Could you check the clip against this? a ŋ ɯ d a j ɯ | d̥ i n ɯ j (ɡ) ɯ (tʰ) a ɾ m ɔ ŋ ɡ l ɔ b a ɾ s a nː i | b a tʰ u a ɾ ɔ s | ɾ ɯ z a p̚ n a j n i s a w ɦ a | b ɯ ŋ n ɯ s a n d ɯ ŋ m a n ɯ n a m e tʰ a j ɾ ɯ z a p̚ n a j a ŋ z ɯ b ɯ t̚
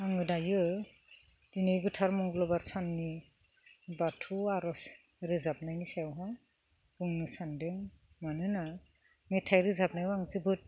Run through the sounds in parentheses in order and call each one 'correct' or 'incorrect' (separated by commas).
correct, correct